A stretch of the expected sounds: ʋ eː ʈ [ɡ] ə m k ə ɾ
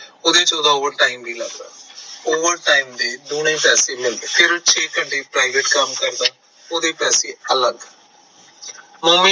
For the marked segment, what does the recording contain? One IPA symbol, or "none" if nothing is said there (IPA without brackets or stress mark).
k